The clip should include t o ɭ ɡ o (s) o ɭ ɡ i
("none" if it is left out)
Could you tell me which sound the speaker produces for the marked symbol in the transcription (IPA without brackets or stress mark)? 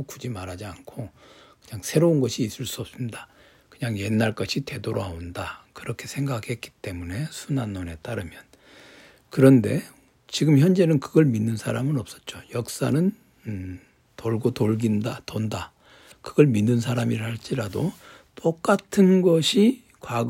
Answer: t